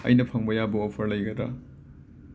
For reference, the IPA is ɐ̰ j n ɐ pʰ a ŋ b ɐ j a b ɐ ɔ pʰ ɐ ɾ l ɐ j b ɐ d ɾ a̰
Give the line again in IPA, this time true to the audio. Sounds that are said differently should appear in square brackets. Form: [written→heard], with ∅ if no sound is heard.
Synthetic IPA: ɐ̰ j n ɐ pʰ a ŋ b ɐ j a b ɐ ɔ pʰ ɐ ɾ l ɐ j [b→ɡ] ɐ d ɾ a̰